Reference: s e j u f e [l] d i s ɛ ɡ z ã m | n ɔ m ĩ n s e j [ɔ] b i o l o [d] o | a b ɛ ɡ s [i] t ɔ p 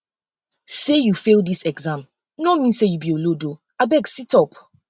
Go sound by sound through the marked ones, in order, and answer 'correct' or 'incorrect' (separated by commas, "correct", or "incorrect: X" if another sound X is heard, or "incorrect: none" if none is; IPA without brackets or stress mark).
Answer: correct, incorrect: u, correct, correct